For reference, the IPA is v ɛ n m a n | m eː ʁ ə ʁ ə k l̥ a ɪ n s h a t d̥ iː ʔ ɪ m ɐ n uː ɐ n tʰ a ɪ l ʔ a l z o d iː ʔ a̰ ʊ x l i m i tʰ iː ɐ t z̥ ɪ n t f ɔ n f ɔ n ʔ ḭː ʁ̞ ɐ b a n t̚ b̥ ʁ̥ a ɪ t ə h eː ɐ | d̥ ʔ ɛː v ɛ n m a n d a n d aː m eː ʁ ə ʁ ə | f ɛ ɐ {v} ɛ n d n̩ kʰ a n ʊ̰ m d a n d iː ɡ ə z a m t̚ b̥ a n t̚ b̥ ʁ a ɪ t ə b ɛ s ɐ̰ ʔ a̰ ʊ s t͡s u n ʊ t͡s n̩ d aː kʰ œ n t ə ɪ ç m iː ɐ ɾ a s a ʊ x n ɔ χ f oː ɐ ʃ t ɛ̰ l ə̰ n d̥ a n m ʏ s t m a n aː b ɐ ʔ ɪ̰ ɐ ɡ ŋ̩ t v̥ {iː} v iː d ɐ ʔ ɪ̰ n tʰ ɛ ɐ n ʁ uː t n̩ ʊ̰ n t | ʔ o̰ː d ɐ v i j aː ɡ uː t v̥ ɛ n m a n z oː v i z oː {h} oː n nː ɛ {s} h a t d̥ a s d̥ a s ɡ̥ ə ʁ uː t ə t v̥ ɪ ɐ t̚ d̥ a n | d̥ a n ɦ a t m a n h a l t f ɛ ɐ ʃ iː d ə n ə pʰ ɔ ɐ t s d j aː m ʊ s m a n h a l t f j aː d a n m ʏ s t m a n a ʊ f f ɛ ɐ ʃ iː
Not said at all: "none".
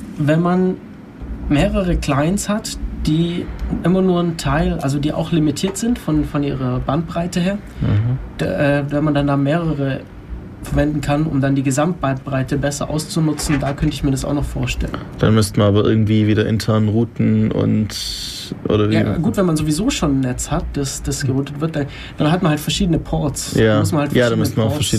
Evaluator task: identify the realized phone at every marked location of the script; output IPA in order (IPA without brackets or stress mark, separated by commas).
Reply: v, iː, ʃ, t͡s